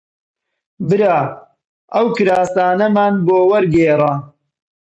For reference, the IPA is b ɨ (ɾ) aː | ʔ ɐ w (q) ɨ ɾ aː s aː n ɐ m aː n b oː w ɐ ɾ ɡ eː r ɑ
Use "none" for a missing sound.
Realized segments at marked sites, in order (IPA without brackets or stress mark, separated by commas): ɾ, k